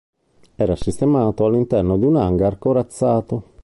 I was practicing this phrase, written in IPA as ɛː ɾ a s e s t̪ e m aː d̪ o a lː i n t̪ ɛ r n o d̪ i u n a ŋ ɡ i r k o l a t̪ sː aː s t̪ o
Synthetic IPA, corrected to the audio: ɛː ɾ a s i s t̪ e m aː t̪ o a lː i n t̪ ɛ r n o d̪ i u n a ŋ ɡ a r k o ɾ a t̪ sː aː t̪ o